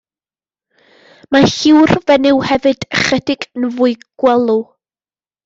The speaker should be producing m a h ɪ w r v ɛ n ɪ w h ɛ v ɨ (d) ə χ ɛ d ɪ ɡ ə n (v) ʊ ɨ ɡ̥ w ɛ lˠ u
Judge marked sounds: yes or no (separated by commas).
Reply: yes, yes